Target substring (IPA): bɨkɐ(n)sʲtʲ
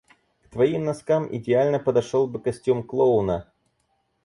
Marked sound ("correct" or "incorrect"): incorrect